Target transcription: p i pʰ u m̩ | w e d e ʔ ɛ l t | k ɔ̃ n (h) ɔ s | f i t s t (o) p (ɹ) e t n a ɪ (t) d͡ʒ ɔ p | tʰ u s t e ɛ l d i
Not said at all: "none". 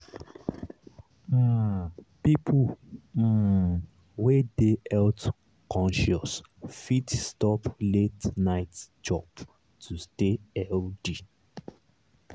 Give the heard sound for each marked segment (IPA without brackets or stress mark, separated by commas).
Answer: ʃ, ɔ, l, t